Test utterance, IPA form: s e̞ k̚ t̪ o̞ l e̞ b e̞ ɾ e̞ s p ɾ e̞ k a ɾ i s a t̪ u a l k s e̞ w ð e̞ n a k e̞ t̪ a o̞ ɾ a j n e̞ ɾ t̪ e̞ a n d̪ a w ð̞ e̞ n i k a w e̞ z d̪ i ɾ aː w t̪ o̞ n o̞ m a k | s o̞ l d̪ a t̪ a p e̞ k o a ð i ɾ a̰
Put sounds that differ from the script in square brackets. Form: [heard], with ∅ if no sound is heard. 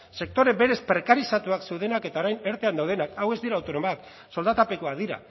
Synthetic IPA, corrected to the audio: s e̞ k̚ t̪ o̞ [ɾ] e̞ b e̞ ɾ e̞ s p ɾ e̞ k a ɾ i s a t̪ u a [∅] k s e̞ w ð e̞ n a k e̞ t̪ a o̞ ɾ a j n e̞ ɾ t̪ e̞ a n d̪ a w ð̞ e̞ n [a] k a w e̞ z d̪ i ɾ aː w t̪ o̞ n o̞ m a k | s o̞ l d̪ a t̪ a p e̞ k o a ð i ɾ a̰